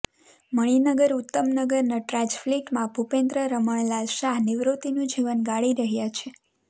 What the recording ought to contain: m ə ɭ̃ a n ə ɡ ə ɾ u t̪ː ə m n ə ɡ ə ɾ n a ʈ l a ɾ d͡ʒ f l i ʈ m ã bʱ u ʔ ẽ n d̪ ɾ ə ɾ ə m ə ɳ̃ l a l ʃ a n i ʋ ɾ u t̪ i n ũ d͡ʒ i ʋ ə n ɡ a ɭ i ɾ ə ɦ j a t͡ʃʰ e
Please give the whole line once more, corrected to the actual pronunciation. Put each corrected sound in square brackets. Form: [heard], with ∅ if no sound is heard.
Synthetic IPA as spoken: m ə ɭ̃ [i] n ə ɡ ə ɾ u t̪ː ə m n ə ɡ ə ɾ n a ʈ [ɾ] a [∅] d͡ʒ f l i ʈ m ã bʱ u [p] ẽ n d̪ ɾ ə ɾ ə m ə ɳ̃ l a l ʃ a n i ʋ ɾ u t̪ i n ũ d͡ʒ i ʋ ə n ɡ a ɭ i ɾ ə ɦ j a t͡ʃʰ e